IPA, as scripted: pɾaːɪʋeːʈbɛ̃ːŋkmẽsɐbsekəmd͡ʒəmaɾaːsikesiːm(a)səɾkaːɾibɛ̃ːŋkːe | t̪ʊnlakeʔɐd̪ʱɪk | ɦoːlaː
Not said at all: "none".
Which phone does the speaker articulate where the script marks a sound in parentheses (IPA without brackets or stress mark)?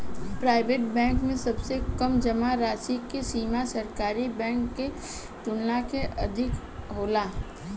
a